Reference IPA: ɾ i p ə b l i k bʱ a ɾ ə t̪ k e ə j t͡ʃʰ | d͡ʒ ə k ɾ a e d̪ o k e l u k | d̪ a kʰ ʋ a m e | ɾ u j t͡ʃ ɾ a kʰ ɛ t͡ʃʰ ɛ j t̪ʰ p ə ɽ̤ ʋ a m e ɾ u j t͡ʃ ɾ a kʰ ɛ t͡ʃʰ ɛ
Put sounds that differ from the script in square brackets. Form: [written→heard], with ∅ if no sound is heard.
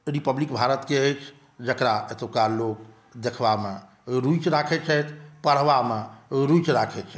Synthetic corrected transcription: ɾ i p ə b l i k bʱ a ɾ ə t̪ k e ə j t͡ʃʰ | d͡ʒ ə k ɾ a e [d̪→t̪] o k [e→a] l [u→o] k | d̪ [a→e] kʰ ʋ a m e | ɾ u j t͡ʃ ɾ a kʰ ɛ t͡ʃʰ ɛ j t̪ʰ p ə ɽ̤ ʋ a m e ɾ u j t͡ʃ ɾ a kʰ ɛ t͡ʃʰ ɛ